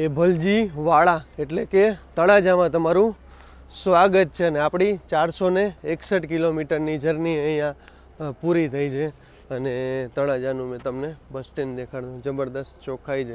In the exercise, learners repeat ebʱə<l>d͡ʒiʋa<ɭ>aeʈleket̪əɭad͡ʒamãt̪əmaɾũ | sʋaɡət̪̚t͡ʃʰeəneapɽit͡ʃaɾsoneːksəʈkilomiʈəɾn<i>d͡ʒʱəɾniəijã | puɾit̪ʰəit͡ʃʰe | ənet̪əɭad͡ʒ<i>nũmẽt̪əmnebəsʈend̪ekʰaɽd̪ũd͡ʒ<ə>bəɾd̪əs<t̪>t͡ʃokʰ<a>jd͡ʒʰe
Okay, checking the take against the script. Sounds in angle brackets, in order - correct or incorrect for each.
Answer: correct, correct, correct, incorrect: a, correct, correct, correct

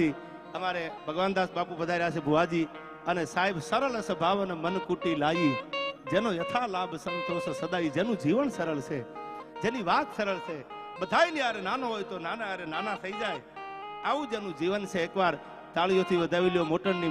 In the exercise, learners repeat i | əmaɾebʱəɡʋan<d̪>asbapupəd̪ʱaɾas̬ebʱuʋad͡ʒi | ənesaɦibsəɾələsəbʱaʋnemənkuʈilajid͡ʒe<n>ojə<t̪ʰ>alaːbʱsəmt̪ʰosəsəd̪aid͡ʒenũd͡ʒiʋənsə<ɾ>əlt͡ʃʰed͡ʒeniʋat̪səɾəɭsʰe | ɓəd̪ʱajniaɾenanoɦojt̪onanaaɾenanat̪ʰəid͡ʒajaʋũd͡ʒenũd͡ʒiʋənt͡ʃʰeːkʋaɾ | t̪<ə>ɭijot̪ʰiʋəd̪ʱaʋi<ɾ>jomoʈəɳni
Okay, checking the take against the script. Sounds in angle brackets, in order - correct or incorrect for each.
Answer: correct, correct, correct, correct, incorrect: a, incorrect: l

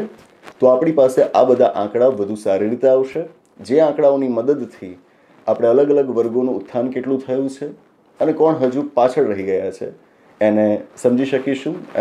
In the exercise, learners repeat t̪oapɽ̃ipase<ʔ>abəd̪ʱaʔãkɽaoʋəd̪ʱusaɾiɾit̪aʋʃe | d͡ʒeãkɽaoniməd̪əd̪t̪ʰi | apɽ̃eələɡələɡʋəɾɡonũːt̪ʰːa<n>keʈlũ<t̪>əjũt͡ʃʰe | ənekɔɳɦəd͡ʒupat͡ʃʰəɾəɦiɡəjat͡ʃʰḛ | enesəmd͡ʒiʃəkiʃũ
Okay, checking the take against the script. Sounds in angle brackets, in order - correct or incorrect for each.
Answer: correct, correct, incorrect: t̪ʰ

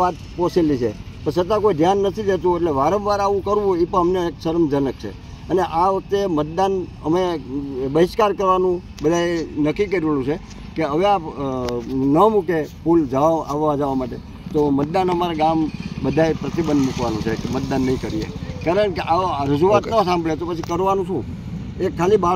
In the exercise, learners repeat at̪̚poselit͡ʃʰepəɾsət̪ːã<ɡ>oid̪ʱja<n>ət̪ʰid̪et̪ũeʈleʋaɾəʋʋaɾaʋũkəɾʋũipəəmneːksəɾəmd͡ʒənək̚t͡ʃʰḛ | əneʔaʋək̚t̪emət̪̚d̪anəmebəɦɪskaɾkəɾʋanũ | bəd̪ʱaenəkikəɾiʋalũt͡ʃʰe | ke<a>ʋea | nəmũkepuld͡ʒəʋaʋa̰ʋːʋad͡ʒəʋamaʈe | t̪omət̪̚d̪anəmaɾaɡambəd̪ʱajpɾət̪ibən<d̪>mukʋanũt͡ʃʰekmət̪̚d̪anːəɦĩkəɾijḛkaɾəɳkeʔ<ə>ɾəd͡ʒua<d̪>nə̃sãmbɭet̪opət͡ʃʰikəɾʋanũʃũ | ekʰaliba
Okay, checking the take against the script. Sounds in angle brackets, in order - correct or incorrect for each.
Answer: incorrect: k, incorrect: nː, incorrect: ə, correct, incorrect: a, incorrect: t̪

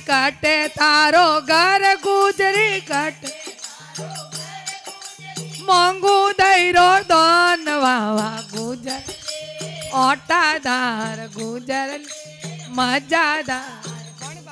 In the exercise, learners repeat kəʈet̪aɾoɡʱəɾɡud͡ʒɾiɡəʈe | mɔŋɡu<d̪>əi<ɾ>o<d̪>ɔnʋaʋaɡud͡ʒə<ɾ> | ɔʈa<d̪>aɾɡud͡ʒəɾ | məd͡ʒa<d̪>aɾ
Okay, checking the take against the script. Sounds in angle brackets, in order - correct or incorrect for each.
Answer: correct, correct, correct, correct, correct, correct

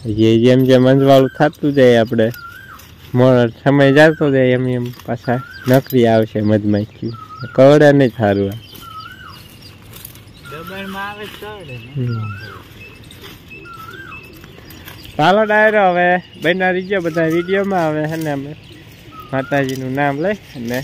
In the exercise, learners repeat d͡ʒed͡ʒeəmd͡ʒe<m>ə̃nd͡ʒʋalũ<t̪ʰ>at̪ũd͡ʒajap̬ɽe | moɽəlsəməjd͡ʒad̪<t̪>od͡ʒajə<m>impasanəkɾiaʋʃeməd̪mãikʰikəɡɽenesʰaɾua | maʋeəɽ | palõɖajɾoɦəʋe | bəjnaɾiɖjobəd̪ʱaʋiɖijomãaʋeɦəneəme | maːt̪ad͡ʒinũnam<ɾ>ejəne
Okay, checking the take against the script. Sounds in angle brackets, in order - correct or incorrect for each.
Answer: correct, correct, correct, correct, incorrect: l

